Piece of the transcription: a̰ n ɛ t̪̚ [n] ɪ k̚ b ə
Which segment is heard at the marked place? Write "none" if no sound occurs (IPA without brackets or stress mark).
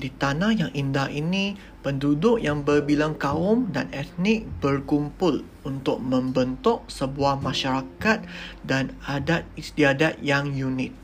n